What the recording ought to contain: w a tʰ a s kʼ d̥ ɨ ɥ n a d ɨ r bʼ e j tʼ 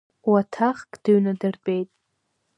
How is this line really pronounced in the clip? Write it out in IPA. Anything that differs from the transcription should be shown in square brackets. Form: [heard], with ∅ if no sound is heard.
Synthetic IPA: w a tʰ a [χ] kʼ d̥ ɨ ɥ n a d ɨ r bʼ e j tʼ